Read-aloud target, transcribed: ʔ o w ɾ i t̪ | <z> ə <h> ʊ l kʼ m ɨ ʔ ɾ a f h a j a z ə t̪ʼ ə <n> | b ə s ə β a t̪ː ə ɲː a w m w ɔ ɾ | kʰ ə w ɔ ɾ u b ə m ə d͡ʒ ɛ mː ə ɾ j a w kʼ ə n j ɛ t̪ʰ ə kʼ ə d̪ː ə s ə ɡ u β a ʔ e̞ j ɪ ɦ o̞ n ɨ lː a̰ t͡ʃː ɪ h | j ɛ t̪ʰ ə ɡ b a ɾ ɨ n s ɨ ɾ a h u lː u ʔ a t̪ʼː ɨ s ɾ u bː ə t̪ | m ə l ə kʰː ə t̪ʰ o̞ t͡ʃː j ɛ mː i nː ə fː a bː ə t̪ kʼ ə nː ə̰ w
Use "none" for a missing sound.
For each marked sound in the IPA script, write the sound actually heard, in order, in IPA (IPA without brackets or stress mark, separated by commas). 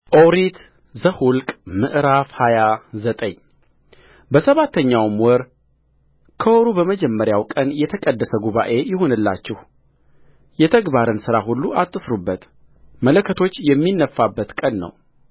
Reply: z, h, ɲ